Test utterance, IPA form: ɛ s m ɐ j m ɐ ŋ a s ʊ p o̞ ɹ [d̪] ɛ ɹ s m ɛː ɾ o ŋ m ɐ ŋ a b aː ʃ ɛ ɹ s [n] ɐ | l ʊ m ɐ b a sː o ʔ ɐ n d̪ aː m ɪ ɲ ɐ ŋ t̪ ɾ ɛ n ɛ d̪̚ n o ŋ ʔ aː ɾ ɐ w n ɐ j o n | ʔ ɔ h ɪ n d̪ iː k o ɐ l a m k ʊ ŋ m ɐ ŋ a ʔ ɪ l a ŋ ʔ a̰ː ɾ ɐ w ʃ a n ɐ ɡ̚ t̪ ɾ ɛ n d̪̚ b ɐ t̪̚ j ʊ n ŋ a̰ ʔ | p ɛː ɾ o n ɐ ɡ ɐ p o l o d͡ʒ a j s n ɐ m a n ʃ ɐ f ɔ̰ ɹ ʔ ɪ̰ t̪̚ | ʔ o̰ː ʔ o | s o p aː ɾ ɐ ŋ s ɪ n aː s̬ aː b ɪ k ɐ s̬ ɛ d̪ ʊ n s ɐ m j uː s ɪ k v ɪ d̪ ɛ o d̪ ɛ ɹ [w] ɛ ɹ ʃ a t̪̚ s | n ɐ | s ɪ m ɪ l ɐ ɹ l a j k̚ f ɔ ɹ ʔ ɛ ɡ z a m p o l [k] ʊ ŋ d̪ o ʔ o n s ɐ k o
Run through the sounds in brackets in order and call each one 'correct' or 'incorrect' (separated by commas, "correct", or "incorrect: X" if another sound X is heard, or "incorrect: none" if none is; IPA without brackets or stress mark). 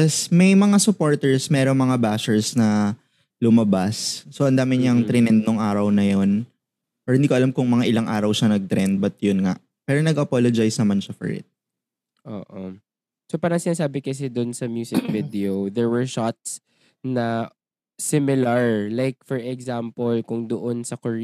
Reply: incorrect: t̪, correct, correct, correct